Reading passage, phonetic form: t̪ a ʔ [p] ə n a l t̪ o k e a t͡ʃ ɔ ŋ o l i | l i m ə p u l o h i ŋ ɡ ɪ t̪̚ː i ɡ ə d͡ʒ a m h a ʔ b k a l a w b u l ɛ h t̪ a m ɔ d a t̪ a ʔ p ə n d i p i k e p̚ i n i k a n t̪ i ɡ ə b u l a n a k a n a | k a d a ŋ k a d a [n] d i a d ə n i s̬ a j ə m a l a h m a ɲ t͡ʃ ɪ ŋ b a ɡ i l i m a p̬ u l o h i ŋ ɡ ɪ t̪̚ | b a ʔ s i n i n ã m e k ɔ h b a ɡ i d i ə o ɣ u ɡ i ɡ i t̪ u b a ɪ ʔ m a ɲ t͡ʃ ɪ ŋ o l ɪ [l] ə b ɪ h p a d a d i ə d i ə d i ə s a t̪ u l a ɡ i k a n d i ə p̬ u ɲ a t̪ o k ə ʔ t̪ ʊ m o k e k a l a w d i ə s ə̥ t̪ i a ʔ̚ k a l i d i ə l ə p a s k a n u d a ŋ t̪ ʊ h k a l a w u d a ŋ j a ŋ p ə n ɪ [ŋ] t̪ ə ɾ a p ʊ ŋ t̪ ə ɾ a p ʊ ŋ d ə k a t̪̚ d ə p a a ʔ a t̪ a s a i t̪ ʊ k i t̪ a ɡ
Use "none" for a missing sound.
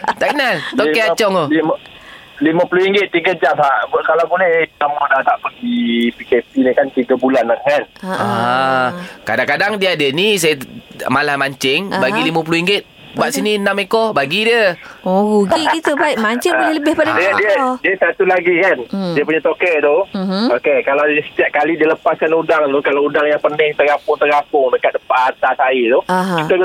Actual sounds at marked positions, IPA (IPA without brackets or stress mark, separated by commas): k, ŋ, l, ŋ